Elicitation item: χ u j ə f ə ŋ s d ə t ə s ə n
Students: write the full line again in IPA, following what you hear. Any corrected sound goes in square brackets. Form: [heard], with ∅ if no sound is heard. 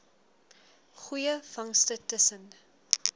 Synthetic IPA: χ u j ə f [ɐ] ŋ s [t] ə t ə s ə n